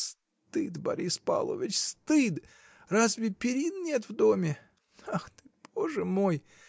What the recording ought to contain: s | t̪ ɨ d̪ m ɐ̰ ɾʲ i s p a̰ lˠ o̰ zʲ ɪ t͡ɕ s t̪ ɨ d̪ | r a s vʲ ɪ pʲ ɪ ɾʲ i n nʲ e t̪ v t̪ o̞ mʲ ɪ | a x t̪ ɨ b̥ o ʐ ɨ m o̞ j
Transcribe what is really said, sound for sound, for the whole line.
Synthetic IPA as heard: s | t̪ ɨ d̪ b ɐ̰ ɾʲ i s p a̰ lˠ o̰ vʲ ɪ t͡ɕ s t̪ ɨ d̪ | r a z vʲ ɪ pʲ ɪ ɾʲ i n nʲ e t̪ v d̪ o̞ mʲ ɪ | a x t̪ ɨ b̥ o ʐ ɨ m o̞ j